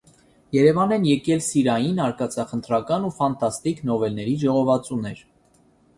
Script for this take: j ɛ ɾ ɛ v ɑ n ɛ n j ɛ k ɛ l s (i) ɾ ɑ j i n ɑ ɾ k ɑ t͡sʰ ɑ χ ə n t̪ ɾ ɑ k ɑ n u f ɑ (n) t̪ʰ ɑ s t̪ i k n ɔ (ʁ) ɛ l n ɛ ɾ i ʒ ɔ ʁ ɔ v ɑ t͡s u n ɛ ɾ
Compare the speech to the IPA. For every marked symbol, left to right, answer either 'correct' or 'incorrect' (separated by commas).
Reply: correct, correct, incorrect